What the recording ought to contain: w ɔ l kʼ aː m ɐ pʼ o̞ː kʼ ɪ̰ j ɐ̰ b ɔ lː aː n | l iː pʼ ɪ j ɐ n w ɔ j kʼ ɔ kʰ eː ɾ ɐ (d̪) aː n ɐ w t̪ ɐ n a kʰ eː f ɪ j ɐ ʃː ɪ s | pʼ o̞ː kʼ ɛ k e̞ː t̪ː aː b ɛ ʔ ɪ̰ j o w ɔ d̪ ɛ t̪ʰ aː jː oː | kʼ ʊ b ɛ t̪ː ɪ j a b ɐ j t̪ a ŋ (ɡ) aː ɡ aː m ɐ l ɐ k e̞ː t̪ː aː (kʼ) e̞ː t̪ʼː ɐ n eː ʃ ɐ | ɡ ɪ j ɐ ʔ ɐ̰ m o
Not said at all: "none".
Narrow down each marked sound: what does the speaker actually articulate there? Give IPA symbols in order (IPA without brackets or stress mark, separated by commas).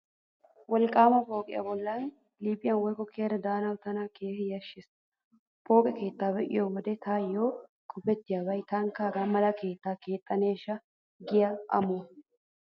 d̪, k, k